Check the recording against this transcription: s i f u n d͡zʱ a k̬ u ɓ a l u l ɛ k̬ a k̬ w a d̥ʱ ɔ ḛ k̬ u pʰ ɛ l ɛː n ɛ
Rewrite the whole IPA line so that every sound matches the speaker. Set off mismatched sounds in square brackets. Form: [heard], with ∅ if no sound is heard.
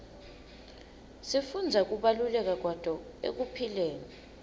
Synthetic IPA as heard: s i f u n d͡zʱ a k̬ u ɓ a l u l ɛ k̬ a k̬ w a d̥ʱ ɔ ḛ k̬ u pʰ [i] l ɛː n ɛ